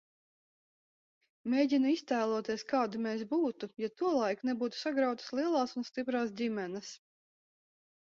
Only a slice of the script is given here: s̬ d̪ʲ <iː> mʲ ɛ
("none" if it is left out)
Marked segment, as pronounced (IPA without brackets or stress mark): i